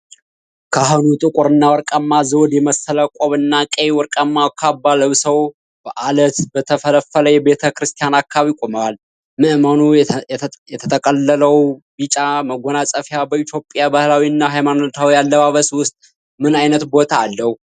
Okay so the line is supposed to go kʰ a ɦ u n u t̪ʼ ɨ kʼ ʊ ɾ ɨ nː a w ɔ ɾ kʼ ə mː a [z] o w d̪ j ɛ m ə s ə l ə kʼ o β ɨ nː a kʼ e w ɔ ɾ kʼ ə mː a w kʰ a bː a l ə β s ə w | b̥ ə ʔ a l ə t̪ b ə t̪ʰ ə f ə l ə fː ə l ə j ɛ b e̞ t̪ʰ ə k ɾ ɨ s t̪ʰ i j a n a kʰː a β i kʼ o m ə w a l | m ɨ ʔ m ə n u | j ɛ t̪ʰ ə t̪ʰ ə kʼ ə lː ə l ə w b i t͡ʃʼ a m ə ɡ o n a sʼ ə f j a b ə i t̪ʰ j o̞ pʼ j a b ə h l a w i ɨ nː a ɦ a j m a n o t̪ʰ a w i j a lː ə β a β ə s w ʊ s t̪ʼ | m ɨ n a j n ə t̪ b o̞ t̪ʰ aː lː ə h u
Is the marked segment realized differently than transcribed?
no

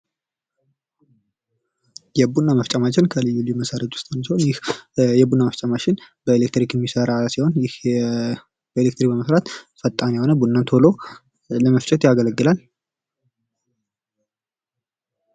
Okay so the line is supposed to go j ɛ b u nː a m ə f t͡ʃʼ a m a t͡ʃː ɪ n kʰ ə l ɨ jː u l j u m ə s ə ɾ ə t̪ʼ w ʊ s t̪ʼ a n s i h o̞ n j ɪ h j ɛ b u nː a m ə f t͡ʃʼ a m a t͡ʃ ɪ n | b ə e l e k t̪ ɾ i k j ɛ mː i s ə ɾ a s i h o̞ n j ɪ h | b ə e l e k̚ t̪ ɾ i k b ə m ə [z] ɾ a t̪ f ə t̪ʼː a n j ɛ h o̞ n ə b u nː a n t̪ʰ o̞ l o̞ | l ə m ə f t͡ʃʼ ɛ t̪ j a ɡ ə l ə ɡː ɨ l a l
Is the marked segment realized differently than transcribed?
yes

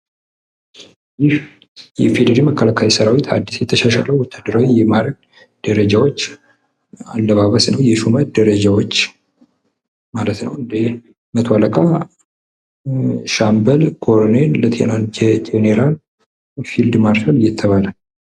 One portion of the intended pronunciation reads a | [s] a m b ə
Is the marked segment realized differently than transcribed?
yes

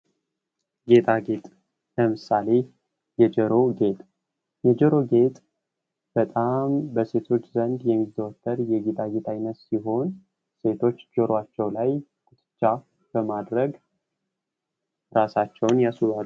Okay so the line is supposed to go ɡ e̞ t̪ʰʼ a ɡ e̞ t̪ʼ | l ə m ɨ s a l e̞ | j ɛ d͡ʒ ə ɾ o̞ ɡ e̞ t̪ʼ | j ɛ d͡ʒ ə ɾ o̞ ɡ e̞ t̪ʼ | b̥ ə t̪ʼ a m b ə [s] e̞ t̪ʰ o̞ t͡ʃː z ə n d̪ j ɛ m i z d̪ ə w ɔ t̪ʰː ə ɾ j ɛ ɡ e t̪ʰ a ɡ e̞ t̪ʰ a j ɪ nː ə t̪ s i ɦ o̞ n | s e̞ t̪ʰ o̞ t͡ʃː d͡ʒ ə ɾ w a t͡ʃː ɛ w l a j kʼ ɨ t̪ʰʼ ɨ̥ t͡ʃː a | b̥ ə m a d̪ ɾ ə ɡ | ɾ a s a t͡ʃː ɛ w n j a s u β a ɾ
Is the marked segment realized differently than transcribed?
no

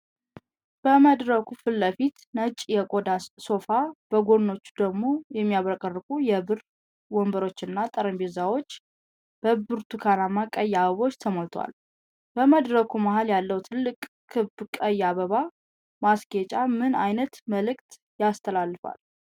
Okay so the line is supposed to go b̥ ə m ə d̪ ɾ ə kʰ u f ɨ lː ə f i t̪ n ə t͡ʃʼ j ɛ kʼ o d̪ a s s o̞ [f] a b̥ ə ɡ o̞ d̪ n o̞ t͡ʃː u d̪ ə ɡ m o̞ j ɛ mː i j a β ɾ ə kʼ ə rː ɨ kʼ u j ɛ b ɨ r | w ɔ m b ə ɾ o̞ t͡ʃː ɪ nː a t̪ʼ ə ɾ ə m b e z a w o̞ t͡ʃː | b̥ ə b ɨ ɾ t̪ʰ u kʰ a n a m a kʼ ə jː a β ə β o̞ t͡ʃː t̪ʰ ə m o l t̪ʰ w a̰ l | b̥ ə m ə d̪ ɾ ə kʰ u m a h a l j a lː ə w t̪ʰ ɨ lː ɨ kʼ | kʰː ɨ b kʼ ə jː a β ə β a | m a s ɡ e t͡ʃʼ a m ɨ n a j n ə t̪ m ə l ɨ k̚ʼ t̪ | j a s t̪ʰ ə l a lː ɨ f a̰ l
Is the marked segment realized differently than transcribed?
no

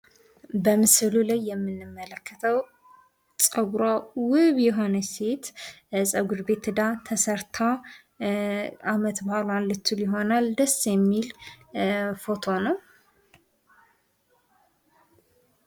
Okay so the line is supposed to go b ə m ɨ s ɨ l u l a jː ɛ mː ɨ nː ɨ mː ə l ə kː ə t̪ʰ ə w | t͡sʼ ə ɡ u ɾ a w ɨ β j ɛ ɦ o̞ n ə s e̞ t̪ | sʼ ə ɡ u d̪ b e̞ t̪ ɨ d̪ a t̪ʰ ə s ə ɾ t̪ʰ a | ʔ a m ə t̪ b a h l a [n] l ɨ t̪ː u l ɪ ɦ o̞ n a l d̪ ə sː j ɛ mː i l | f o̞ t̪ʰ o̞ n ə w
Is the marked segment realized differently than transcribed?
no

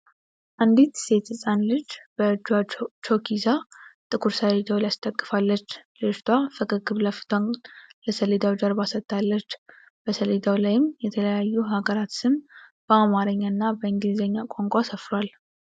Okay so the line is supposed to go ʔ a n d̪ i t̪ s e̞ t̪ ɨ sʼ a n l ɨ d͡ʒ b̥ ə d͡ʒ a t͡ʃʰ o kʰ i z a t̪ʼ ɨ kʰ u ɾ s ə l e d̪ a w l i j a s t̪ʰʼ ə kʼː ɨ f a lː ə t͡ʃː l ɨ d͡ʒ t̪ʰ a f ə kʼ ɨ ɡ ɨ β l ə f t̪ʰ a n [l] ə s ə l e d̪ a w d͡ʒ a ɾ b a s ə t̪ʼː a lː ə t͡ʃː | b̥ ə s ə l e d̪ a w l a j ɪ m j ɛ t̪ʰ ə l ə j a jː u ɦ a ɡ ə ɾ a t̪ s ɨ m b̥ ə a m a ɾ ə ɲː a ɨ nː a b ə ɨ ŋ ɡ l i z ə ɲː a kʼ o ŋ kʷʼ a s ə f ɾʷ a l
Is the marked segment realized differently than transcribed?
no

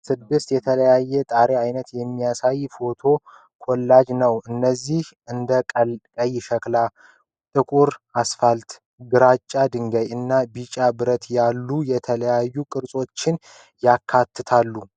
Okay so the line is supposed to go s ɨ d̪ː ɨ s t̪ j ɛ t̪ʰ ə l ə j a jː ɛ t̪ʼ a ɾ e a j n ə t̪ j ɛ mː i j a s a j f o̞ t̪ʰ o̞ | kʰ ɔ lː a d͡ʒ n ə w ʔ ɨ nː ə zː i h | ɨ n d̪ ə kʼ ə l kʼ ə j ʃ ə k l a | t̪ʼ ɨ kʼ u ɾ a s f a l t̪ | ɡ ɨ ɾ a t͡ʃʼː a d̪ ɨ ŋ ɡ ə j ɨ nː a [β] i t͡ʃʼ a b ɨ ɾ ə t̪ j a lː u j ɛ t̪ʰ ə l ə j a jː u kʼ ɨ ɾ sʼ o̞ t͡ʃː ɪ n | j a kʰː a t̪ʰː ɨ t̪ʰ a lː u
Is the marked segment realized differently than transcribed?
yes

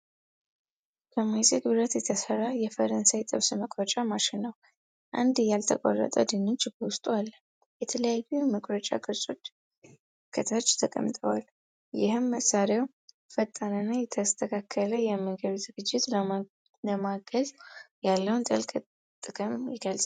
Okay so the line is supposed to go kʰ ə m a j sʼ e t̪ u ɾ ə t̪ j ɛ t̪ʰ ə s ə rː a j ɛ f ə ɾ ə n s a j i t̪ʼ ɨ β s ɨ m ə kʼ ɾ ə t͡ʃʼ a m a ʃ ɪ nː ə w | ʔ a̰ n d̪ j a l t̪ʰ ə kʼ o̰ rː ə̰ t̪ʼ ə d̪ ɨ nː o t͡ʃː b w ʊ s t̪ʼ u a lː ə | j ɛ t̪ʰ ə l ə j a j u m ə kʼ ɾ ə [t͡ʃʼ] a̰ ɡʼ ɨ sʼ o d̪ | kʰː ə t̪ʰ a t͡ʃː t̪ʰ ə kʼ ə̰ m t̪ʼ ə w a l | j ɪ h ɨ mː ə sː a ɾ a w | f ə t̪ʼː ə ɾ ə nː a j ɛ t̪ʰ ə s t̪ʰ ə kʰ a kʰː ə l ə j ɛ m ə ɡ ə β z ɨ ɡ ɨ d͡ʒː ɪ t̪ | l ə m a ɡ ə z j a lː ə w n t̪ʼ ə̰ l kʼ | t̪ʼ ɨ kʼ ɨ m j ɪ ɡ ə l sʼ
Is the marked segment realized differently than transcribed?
no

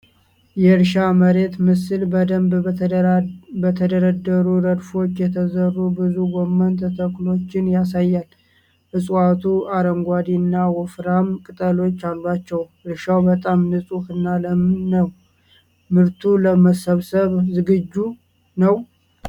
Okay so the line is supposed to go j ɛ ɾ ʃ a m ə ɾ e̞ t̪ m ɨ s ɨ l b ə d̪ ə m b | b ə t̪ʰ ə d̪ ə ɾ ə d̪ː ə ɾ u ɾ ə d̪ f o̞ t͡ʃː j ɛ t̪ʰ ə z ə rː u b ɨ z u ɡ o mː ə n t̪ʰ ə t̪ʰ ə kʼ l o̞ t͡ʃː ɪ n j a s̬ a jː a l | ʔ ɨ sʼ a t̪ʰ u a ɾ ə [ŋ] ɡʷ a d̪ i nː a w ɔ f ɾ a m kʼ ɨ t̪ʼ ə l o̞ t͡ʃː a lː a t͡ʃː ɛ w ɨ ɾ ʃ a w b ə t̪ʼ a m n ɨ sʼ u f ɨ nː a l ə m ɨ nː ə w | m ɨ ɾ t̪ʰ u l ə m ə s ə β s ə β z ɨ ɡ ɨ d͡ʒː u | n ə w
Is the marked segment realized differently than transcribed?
yes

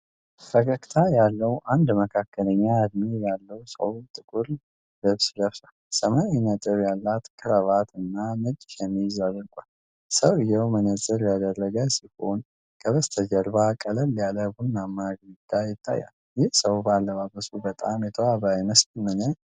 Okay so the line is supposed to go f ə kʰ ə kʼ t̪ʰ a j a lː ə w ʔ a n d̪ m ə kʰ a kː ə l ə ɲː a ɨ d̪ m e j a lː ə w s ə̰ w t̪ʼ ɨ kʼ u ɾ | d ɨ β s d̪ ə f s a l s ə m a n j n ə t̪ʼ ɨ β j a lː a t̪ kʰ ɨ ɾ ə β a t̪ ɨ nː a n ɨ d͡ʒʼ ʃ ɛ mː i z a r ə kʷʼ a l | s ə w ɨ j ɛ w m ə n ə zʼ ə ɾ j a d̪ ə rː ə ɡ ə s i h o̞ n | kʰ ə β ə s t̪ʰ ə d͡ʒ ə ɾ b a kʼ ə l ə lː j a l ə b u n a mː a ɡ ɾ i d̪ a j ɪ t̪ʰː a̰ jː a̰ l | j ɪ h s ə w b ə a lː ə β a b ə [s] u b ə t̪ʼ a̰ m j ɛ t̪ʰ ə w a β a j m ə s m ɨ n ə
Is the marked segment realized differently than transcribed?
no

